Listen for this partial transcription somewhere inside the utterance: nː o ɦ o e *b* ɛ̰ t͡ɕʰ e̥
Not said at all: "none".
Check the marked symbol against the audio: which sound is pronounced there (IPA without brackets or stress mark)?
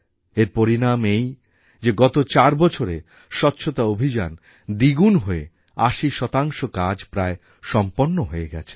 ɡ